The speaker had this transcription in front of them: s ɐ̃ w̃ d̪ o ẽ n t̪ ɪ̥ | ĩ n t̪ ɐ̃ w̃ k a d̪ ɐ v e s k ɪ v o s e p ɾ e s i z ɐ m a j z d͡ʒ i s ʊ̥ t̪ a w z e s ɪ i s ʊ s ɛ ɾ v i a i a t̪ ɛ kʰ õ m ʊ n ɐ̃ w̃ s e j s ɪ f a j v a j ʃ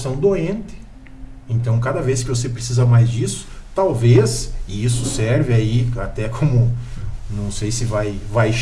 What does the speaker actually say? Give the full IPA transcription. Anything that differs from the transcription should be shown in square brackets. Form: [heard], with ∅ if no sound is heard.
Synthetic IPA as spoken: s ɐ̃ w̃ d̪ o ẽ n t̪ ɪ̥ | [ẽ] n t̪ ɐ̃ w̃ k a d̪ ɐ v e s k ɪ v o s e p ɾ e s i z ɐ m a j z d͡ʒ i s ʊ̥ t̪ a w [v] e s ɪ i s ʊ s ɛ ɾ v [ɪ] a i a t̪ ɛ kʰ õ m ʊ n ɐ̃ w̃ s e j s ɪ [v] a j v a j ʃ